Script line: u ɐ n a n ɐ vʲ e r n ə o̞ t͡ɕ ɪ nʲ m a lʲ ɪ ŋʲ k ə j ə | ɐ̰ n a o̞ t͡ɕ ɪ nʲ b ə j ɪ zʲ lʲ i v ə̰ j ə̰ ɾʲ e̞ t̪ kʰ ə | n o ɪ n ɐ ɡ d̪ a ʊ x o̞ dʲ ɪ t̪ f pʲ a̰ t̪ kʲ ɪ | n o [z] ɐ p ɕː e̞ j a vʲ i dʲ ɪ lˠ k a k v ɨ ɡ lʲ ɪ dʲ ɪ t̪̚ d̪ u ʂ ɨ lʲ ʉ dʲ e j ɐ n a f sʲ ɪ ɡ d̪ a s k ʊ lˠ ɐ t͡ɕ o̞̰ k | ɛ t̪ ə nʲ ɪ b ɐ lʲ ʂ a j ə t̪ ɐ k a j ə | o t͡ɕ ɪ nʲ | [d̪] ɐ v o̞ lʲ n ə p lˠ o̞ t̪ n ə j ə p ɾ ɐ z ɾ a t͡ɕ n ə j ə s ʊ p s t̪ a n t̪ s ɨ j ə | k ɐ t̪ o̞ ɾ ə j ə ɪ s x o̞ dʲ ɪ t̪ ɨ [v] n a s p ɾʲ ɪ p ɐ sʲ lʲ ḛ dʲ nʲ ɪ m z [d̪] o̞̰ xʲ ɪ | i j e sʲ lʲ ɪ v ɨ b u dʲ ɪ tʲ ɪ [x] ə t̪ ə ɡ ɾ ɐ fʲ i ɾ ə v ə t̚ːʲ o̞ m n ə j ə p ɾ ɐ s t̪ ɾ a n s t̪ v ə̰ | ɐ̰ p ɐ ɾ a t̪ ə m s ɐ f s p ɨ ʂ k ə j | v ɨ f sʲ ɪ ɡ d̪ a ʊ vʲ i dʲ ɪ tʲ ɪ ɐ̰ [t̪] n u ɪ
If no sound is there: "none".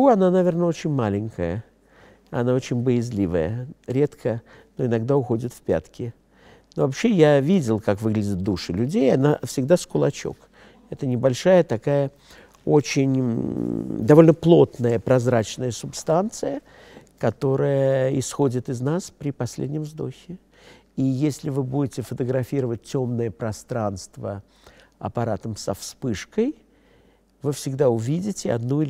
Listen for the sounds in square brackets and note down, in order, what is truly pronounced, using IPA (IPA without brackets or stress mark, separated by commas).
v, d̪, z, d̪, f, d̪